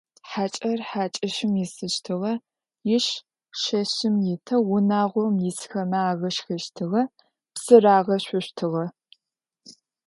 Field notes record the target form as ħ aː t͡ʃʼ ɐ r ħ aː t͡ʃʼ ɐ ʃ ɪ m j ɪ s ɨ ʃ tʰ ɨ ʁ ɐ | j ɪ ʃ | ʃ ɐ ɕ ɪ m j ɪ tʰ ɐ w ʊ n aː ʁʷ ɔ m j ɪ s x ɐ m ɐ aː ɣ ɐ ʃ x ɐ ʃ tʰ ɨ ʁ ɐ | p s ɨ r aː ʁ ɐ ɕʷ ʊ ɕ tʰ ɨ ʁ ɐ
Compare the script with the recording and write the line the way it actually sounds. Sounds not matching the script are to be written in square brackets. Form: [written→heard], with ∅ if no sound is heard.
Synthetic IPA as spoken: ħ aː t͡ʃʼ ɐ r ħ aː t͡ʃʼ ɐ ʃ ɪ m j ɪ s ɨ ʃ tʰ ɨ ʁ ɐ | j ɪ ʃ | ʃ ɐ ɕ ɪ m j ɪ tʰ ɐ w ʊ n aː ʁʷ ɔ m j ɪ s x ɐ m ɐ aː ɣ ɐ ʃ x ɐ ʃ tʰ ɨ ʁ ɐ | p s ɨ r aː ʁ ɐ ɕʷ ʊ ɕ tʰ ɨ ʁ ɐ